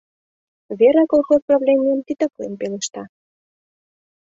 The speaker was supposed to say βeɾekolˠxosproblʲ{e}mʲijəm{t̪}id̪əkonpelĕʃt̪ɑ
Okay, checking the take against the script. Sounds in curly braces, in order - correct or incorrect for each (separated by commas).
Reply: correct, correct